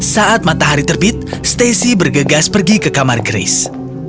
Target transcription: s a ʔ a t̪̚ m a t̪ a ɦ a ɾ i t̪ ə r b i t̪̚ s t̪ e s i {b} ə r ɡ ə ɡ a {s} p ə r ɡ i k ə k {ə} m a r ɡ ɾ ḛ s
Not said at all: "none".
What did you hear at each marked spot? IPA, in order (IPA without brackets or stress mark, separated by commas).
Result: b, s, a